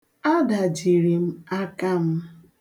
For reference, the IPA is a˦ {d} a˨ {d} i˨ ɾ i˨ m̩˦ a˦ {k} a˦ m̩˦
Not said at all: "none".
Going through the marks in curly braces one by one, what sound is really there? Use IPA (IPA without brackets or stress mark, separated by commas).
d, d͡ʒ, k